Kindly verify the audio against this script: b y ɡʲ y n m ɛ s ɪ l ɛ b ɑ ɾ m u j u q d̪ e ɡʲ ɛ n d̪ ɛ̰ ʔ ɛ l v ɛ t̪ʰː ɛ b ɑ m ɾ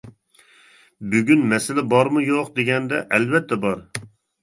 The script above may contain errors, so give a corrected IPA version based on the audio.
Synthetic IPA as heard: b y ɡʲ y n m ɛ s ɪ l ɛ b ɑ ɾ m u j o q d̪ e ɡʲ ɛ n d̪ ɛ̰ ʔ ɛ l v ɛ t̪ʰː ɛ b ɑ ɾ